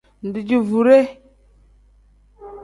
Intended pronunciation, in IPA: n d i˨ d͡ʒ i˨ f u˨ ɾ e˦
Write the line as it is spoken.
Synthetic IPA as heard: n d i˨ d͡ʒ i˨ v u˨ ɾ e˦